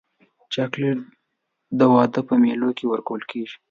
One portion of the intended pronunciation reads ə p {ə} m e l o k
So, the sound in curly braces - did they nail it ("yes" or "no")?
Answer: yes